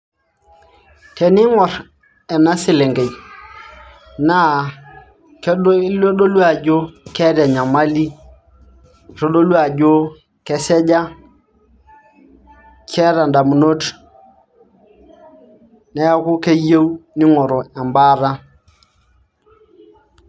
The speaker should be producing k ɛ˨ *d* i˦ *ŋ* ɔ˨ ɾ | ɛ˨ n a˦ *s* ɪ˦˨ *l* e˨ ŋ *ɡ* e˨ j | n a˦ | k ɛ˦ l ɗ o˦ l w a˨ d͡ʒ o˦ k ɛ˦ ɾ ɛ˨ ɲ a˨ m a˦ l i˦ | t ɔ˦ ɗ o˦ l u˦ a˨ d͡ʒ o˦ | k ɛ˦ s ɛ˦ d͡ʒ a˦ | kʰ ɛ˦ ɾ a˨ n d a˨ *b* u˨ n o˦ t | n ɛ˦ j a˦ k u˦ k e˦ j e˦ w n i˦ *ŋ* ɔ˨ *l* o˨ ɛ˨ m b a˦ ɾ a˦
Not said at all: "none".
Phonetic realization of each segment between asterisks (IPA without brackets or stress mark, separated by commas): n, ŋ, s, l, ɡ, m, ŋ, ɾ